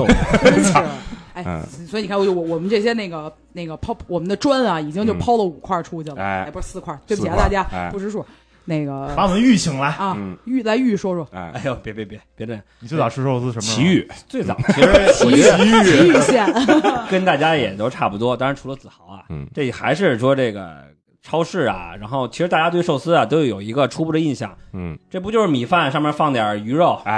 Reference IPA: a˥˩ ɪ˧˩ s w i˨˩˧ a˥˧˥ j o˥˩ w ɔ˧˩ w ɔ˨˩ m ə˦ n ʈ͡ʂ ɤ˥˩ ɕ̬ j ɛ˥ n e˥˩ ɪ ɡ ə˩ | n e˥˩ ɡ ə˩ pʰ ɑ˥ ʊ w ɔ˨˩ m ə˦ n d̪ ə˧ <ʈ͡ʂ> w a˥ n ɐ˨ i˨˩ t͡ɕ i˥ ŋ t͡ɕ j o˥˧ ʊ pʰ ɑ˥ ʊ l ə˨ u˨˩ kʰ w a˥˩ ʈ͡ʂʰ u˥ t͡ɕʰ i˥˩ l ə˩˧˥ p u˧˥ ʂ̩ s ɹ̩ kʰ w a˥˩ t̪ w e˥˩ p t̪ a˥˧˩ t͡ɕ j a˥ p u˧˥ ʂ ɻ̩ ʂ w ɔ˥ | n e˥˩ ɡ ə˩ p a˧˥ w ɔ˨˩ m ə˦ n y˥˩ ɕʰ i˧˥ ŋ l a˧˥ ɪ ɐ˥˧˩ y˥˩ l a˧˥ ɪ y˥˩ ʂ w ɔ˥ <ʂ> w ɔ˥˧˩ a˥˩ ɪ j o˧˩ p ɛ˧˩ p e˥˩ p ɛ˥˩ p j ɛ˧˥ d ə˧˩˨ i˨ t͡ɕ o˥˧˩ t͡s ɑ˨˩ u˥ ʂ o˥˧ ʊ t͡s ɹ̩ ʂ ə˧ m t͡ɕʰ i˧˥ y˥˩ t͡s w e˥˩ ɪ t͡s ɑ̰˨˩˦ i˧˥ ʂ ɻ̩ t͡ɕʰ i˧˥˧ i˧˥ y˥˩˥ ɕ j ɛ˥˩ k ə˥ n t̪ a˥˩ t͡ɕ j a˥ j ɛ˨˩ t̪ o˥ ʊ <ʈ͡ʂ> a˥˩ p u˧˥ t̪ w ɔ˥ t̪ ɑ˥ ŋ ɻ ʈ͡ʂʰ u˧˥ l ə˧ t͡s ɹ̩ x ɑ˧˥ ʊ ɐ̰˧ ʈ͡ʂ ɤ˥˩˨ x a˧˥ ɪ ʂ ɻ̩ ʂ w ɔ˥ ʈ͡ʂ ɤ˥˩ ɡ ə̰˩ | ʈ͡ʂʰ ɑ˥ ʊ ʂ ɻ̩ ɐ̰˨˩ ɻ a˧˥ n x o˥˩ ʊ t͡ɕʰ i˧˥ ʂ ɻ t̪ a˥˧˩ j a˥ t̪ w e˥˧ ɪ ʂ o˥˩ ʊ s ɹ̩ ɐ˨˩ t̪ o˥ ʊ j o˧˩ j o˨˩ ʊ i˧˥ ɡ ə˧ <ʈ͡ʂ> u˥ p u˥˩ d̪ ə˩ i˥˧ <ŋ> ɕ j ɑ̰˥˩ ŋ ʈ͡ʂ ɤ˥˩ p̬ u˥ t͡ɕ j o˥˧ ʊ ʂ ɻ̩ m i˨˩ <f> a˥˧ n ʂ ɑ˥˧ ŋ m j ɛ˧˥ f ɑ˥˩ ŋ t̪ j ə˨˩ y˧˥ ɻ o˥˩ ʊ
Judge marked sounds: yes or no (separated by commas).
yes, yes, no, no, no, yes